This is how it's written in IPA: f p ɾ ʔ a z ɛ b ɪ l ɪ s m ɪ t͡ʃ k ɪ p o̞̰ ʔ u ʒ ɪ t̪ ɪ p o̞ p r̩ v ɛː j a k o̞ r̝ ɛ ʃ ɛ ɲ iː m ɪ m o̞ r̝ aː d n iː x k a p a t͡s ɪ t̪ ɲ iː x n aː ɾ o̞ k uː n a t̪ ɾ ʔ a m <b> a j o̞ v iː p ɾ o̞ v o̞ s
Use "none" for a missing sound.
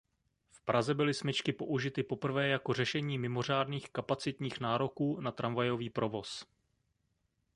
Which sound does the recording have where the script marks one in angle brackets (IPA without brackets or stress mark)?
v